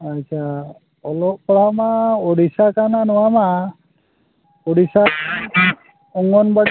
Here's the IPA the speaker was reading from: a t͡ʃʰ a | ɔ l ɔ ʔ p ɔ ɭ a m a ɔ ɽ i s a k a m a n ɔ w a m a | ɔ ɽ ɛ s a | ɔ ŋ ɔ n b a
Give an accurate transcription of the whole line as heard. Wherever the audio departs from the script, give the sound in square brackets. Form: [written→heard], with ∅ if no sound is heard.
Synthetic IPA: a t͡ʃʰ a | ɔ l ɔ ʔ p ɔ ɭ a m a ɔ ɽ i s a k a [m→n] a n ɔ w a m a | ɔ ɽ [ɛ→i] s a | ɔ ŋ ɔ n b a